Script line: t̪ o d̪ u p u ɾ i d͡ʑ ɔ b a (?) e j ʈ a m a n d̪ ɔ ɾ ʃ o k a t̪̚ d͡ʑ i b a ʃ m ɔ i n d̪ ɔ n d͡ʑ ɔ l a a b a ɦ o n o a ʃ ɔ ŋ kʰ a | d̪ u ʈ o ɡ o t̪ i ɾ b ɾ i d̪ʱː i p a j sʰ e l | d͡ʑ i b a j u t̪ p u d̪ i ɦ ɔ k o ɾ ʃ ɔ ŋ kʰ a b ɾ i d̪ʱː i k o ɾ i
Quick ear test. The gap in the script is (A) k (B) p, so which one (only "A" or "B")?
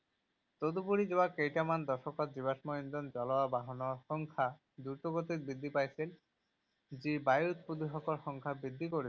A